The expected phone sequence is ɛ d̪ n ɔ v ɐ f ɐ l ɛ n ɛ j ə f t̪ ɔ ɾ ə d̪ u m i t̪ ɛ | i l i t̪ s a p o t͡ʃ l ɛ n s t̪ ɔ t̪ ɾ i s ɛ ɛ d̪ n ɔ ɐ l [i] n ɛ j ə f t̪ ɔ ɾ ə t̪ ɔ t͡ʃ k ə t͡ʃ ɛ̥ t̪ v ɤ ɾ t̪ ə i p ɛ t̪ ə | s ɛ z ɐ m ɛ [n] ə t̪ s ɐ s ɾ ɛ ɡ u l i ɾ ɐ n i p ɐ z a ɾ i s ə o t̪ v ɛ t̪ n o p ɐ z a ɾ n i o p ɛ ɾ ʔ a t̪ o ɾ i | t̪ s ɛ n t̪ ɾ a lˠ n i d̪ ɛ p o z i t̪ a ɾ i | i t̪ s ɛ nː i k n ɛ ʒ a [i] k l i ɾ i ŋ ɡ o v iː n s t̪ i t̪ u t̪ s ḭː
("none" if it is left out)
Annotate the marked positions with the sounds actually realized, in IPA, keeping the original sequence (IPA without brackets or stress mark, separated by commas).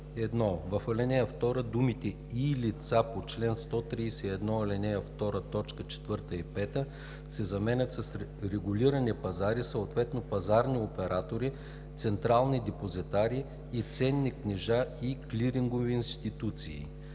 ɛ, n, i